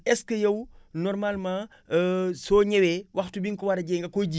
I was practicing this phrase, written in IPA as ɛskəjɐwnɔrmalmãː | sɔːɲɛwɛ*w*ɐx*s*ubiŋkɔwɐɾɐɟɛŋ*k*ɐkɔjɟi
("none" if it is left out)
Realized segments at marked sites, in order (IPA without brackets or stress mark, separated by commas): w, t, ɡ